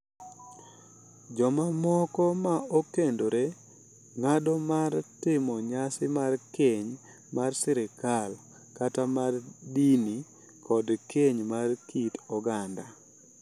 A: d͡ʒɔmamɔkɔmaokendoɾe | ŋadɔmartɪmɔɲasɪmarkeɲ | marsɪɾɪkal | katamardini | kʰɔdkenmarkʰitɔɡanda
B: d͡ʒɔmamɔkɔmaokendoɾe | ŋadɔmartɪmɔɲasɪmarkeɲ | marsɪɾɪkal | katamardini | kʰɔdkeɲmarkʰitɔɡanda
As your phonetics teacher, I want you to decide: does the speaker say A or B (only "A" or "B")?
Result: B